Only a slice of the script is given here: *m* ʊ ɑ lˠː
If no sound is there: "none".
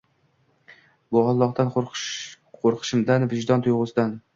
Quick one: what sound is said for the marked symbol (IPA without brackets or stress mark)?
b